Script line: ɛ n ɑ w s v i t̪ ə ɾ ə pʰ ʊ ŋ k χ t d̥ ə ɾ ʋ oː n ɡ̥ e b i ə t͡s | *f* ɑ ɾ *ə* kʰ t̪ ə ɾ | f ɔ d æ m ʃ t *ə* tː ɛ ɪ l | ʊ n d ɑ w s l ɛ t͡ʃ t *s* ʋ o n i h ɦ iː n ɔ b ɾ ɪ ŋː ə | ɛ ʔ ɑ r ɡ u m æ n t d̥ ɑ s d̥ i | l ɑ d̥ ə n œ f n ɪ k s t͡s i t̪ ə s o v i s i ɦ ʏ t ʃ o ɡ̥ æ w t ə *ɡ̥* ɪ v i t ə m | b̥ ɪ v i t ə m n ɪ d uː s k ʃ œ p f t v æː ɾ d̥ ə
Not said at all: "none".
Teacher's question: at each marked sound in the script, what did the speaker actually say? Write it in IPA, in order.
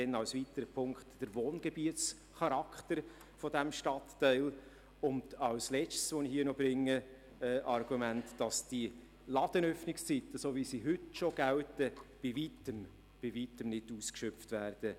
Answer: χ, ɑ, ɑ, s, b̥

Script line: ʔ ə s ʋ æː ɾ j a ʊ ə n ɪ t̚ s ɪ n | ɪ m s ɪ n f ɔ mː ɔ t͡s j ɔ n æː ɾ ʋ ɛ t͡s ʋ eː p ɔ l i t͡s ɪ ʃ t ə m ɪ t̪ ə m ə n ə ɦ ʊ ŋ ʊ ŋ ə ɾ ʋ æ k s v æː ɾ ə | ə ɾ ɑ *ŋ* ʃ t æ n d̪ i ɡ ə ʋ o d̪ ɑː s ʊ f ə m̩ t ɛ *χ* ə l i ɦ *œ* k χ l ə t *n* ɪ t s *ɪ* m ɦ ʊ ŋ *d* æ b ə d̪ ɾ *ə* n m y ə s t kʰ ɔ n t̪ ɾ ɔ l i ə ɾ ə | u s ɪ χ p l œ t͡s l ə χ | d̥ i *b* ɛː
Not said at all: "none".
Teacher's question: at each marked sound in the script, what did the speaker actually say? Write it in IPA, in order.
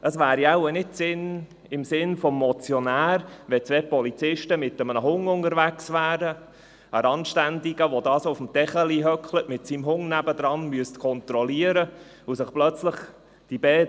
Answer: n, χ, œ, m, i, n, ɑ, b

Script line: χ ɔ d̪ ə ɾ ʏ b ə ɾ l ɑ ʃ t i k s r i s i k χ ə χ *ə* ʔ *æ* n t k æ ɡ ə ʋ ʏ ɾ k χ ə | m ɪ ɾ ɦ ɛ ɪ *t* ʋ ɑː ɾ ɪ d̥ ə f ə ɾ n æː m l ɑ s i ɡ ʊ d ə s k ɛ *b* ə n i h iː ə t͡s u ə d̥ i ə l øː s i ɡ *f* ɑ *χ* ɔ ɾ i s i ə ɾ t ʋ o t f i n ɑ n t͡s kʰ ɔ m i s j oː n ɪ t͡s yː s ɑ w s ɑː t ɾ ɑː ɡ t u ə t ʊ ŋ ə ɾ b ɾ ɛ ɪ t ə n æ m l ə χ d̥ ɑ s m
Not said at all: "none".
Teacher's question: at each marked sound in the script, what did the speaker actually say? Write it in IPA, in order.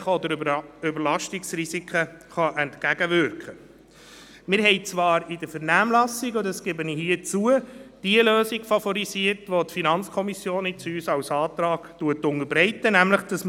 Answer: ɑ, ɛ, t͡s, b, f, f

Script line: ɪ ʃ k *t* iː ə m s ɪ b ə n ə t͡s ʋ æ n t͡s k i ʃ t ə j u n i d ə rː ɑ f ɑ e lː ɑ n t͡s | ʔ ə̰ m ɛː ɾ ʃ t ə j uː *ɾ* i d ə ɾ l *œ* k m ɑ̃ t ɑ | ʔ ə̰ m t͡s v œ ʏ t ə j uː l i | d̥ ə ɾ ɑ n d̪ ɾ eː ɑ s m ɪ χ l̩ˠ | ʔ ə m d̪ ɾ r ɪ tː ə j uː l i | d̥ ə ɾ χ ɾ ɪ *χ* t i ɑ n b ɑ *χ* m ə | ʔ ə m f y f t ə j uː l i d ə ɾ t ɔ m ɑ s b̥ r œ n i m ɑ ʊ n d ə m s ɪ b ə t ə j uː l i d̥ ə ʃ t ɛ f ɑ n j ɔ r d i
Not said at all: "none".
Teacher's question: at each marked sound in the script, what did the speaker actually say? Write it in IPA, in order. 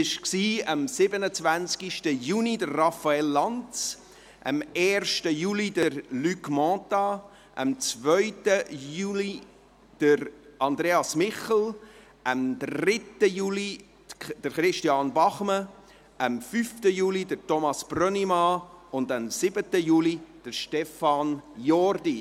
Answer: s, l, y, ʃ, χ

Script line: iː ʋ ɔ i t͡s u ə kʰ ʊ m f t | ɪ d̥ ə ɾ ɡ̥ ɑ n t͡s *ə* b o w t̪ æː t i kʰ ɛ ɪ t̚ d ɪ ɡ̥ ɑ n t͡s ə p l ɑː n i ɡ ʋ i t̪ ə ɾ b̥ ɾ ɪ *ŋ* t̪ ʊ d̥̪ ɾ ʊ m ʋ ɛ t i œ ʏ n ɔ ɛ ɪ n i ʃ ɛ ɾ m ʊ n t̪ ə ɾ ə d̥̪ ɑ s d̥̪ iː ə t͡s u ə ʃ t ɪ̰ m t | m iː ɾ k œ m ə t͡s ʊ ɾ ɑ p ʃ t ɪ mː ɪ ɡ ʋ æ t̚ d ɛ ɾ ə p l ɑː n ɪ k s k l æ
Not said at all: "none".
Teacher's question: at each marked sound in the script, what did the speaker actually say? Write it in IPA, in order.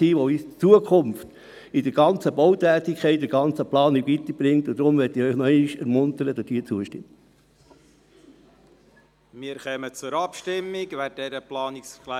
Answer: ə, ŋ

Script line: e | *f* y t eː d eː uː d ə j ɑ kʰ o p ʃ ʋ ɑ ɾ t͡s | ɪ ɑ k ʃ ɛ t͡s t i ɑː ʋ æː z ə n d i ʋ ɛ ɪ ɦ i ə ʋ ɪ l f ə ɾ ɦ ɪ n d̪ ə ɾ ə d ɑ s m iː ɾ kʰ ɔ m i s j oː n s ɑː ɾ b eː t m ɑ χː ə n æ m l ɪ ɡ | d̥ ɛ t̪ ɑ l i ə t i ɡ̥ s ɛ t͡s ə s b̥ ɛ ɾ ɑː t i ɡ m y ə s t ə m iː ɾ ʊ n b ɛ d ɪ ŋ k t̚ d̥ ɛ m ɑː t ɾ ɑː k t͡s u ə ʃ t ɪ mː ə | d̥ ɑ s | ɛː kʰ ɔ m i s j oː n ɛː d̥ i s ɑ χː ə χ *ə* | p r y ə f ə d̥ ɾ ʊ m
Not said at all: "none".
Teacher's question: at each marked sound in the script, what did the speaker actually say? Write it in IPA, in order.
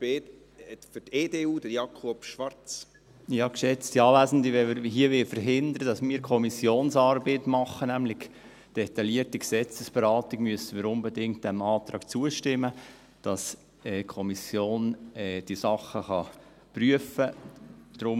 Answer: f, ɑ

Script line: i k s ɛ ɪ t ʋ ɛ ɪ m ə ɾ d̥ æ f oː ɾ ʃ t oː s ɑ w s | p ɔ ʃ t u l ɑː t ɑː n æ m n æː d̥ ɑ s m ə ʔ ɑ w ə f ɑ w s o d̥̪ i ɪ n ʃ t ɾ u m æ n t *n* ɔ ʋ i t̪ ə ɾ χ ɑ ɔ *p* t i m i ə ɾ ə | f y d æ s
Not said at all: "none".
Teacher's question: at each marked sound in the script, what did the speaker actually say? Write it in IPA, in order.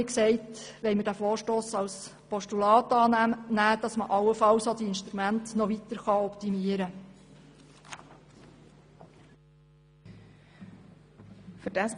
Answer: n, p

